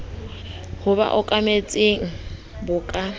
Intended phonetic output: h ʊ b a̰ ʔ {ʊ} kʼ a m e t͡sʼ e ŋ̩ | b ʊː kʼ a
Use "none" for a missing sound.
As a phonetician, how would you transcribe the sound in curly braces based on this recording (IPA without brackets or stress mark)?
ʊ